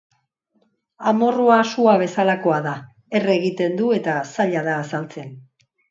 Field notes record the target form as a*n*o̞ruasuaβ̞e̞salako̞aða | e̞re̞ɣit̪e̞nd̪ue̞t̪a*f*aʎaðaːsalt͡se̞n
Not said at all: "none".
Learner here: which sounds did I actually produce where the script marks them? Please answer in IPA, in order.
m, s

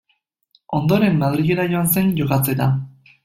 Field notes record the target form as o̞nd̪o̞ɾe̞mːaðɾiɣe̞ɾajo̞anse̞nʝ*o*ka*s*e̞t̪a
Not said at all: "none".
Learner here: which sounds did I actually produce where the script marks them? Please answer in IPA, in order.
o, t͡s

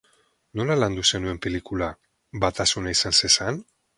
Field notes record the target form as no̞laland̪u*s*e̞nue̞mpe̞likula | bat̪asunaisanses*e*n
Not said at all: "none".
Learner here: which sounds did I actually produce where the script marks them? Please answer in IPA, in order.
s, a

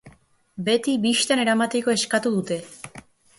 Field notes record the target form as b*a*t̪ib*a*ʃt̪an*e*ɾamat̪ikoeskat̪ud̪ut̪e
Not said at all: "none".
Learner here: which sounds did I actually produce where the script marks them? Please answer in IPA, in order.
e, i, e

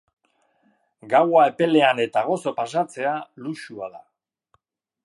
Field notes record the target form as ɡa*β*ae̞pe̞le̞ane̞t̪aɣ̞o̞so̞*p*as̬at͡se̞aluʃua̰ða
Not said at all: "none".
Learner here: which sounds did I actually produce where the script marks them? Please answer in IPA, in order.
w, p

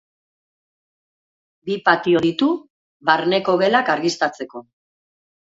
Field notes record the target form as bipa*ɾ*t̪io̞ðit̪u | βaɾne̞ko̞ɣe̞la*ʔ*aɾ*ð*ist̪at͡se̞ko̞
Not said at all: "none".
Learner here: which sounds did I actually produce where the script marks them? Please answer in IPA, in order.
none, k, ɣ

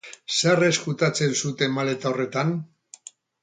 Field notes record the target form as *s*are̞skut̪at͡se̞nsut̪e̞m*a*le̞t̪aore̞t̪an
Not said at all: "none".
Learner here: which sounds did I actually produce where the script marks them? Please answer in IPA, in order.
s, a

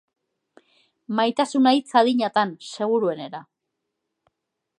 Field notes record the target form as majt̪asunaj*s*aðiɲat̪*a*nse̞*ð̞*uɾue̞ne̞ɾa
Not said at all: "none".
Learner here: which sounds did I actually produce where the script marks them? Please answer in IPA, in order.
t͡s, a, ɣ̞

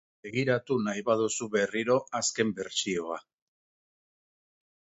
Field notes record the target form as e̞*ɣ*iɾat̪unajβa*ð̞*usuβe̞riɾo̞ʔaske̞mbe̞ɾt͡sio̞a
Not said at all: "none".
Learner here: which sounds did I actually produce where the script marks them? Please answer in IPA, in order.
ɣ, ð̞

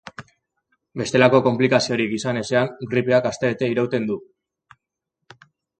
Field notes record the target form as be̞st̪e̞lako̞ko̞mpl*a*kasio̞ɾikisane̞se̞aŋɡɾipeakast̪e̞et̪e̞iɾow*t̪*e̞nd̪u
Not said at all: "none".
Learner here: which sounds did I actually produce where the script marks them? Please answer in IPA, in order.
i, t̪

